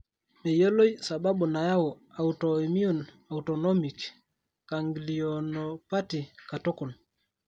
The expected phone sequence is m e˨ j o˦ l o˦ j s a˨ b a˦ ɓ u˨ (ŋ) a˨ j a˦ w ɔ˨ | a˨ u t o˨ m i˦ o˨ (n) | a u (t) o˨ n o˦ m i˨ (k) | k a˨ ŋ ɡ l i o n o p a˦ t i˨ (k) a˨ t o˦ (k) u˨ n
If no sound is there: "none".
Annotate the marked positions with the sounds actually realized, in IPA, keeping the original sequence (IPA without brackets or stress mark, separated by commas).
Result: n, n, t, k, k, k